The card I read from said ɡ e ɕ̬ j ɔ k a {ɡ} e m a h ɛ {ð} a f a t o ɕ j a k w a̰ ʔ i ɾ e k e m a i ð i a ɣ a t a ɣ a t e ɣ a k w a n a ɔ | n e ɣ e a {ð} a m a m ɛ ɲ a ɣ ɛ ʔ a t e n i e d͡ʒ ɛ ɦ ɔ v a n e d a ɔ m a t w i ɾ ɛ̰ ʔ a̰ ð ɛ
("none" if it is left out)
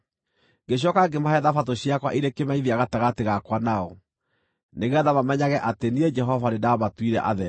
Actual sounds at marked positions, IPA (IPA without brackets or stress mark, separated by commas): ɡ, ð, ð